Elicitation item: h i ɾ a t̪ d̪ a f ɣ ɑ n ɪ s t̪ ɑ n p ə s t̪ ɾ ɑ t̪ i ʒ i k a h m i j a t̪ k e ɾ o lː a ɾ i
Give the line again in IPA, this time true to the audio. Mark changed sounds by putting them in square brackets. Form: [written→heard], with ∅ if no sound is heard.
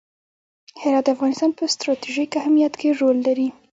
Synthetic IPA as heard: h [i→ɪ] ɾ [a→ɑ] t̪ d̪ a f ɣ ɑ n ɪ s t̪ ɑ n p ə s t̪ ɾ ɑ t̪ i ʒ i k a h m i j a t̪ k e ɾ o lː a ɾ i